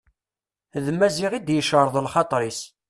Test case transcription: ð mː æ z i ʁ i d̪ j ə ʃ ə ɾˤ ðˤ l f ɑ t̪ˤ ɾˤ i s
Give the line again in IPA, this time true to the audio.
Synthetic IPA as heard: ð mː æ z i ʁ i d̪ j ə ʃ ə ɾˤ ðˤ l χ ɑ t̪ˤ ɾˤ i s